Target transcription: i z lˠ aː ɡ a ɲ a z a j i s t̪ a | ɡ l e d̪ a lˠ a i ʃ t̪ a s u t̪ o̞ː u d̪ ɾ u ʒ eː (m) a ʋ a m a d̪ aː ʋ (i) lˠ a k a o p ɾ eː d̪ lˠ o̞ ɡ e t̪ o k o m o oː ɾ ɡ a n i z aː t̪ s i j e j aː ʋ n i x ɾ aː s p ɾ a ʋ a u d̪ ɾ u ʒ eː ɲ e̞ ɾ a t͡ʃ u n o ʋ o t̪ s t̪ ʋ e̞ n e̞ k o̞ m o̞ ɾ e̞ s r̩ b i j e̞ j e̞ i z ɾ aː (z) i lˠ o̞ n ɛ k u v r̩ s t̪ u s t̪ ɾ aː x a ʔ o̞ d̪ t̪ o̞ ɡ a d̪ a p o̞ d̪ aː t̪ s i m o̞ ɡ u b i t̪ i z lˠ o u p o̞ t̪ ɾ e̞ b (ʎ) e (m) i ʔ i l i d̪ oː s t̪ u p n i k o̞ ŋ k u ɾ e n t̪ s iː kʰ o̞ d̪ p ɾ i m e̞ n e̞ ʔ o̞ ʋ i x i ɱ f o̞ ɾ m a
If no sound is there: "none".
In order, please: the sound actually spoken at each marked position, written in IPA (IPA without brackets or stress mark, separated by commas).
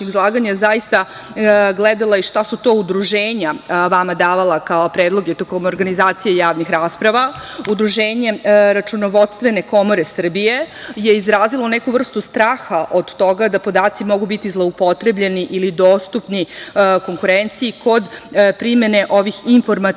ɲ, a, z, ʎ, n